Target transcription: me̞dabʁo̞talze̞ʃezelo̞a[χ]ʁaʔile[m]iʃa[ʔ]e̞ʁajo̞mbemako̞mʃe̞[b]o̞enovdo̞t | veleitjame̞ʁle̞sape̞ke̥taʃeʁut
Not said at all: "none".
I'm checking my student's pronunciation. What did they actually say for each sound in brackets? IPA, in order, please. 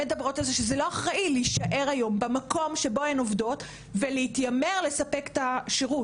χ, none, ʔ, b

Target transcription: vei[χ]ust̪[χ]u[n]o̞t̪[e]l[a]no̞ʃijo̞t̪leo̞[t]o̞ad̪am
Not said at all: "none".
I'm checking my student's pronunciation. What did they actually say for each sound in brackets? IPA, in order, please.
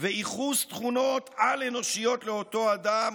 χ, χ, n, a, e, t

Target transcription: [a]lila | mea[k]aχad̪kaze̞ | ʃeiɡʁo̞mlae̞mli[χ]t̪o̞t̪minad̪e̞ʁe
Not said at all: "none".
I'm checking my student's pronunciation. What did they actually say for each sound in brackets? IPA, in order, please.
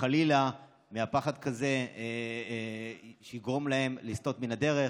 a, p, s

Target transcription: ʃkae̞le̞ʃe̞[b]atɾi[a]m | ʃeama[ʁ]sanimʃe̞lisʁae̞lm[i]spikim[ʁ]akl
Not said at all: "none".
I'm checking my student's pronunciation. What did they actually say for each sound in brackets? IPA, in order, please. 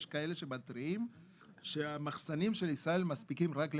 b, i, χ, a, ʁ

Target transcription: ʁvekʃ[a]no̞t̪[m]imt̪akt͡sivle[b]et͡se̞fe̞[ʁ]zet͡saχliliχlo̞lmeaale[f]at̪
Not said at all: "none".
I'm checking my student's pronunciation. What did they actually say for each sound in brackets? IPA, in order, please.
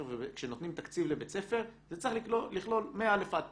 e, n, b, ʁ, f

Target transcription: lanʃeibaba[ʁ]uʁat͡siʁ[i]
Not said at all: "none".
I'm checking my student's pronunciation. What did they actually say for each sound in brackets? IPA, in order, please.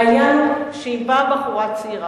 χ, a

